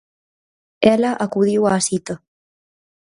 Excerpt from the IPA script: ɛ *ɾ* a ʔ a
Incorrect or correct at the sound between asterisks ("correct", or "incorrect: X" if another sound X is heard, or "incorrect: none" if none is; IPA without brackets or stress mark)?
incorrect: l